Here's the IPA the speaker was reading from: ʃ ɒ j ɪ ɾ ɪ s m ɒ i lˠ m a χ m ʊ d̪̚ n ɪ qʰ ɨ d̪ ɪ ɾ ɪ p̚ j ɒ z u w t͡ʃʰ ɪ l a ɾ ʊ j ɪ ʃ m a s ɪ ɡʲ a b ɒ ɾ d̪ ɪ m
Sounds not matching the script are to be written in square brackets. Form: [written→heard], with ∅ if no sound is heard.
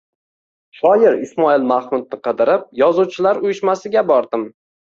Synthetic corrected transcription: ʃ ɒ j ɪ ɾ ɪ s m ɒ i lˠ m a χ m ʊ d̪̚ n ɪ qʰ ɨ d̪ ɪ ɾ ɪ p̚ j ɒ z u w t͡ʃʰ ɪ l a ɾ ʊ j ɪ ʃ m a s ɪ ɡʲ a b ɒ ɾ d̪ ɪ m